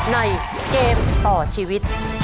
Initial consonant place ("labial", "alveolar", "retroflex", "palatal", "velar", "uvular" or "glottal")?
alveolar